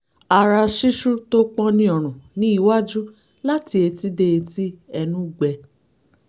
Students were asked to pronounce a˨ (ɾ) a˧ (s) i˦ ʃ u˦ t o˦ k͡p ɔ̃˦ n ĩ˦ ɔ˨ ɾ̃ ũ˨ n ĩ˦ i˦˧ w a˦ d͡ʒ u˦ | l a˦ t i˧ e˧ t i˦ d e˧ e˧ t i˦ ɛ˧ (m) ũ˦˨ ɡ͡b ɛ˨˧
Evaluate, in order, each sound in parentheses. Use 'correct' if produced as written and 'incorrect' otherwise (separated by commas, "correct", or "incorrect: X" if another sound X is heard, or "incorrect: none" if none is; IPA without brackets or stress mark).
correct, incorrect: ʃ, incorrect: n